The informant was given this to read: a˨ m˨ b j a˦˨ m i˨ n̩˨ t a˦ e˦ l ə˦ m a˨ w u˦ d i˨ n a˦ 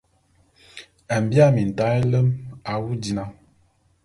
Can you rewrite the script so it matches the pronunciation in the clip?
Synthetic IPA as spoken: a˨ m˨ b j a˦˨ m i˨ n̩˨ t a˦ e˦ l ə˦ m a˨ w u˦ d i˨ n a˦